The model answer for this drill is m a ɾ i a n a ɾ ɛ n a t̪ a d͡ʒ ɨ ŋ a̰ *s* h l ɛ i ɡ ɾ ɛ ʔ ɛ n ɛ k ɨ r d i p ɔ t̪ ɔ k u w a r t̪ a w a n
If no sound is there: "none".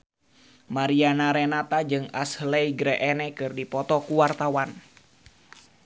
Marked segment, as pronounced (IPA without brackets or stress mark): s